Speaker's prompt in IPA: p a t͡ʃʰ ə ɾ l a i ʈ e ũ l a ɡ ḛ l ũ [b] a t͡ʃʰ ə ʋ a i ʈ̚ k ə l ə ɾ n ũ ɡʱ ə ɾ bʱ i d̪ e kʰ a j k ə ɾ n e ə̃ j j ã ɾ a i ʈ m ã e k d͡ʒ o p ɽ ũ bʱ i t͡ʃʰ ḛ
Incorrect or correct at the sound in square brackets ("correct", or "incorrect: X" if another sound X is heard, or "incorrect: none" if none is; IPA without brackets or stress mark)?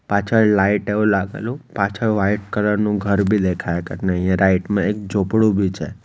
incorrect: p